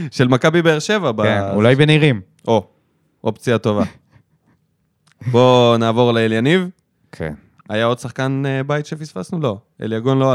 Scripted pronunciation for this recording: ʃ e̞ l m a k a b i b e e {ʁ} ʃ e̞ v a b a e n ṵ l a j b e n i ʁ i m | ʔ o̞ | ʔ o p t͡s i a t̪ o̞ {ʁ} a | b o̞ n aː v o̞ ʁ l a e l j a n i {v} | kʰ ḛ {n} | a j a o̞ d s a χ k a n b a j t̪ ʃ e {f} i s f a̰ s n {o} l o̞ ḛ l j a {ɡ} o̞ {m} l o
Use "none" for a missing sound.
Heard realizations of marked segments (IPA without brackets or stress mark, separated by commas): ʁ, v, v, n, f, u, ɡ, n